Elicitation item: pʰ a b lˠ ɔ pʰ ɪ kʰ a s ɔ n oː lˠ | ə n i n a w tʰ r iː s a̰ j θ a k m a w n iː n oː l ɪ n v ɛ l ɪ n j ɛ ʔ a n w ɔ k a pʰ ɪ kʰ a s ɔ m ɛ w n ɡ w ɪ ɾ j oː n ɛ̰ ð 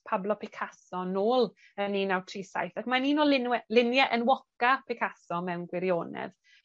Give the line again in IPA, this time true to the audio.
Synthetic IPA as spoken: pʰ a b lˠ ɔ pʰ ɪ kʰ a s ɔ n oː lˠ | ə n i n a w tʰ r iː s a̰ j θ a k m a n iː n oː l ɪ n w ɛ l ɪ n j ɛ ʔ ə n w ɔ k a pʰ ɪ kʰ a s ɔ m ɛ w n ɡ w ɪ ɾ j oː n ɛ̰ ð